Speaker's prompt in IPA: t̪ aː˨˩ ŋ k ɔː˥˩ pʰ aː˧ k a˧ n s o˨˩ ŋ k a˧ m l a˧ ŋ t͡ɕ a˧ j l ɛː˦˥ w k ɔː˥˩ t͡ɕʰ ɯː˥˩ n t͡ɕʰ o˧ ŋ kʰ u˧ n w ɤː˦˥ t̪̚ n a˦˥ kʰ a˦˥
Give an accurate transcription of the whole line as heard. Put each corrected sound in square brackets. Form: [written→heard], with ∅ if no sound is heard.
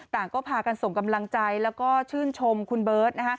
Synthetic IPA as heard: t̪ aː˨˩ ŋ k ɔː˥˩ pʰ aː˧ k a˧ n s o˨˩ ŋ k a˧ m l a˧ ŋ t͡ɕ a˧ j l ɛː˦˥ w k ɔː˥˩ t͡ɕʰ ɯː˥˩ n t͡ɕʰ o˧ [ŋ→m] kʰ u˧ n [w→b] ɤː˦˥ t̪̚ n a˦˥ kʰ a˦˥